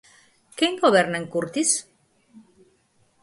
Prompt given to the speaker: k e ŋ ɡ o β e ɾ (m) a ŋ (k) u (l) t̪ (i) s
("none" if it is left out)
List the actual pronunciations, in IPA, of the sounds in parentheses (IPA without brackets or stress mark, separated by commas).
n, k, ɾ, i